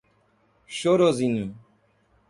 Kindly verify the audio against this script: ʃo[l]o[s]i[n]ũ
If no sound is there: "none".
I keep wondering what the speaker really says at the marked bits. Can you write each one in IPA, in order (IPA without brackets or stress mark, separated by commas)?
ɾ, z, n